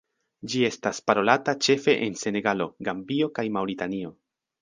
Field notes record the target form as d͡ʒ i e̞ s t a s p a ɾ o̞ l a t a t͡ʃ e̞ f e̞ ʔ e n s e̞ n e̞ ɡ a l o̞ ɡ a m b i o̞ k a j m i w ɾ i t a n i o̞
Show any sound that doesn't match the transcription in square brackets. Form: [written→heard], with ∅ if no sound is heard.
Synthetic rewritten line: d͡ʒ i e̞ s t a s p a ɾ o̞ l a t a t͡ʃ e̞ f e̞ ʔ e n s e̞ n e̞ ɡ a l o̞ ɡ a m b i o̞ k a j m [i→a] w ɾ i t a n i o̞